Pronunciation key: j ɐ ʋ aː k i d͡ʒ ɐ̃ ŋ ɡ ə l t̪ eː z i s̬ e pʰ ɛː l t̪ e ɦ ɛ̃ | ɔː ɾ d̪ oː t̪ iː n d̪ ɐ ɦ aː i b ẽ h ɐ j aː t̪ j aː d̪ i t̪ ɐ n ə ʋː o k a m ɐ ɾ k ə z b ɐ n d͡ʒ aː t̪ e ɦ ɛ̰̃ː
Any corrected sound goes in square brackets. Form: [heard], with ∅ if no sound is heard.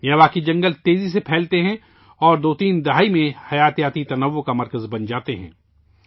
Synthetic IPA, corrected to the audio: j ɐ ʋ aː k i d͡ʒ ɐ̃ ŋ ɡ ə l t̪ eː z i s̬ e pʰ ɛː l t̪ e ɦ ɛ̃ | ɔː ɾ d̪ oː t̪ iː n d̪ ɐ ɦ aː i [m] ẽ h ɐ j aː t̪ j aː [t̪] i t̪ ɐ n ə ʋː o k a m ɐ ɾ k ə z b ɐ n d͡ʒ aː t̪ e ɦ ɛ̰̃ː

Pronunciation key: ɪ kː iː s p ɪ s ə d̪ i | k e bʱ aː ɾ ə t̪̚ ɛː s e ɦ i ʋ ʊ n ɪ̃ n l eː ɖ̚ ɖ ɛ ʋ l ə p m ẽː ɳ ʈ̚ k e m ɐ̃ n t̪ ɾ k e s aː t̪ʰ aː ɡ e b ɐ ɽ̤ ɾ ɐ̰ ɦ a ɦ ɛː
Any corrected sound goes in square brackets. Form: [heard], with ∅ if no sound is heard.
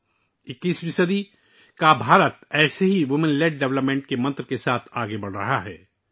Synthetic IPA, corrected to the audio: ɪ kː iː s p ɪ s ə d̪ i | k [a] bʱ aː ɾ ə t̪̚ ɛː s e ɦ i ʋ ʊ [m] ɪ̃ n l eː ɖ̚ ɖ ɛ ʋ l ə p m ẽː ɳ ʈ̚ k e m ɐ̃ n t̪ ɾ k e s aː t̪ʰ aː ɡ e b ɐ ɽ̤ ɾ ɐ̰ ɦ a ɦ ɛː

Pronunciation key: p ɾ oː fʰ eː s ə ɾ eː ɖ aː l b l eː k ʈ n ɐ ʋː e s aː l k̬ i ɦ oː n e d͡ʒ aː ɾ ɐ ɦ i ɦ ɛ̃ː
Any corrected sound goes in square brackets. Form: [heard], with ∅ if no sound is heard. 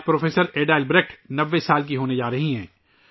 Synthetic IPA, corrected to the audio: p ɾ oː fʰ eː s ə ɾ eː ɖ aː l b [ɾ] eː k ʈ n ɐ ʋː e s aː l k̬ i ɦ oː n e d͡ʒ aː ɾ ɐ ɦ i ɦ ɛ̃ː

